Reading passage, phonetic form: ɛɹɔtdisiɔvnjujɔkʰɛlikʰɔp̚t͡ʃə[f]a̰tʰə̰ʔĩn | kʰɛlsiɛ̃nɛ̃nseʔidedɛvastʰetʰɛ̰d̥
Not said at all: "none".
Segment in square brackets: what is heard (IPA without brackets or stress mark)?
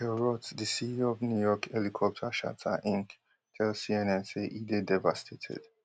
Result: ʃ